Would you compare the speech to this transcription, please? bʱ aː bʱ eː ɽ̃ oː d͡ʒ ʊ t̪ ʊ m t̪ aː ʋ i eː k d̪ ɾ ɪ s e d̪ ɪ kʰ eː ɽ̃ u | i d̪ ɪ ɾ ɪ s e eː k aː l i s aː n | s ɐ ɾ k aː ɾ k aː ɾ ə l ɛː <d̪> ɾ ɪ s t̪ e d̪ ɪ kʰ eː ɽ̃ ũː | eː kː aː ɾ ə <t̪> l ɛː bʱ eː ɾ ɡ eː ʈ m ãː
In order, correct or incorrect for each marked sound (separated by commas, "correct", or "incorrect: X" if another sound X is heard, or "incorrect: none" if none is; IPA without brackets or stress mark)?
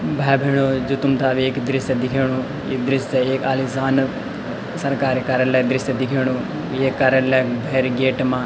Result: correct, incorrect: none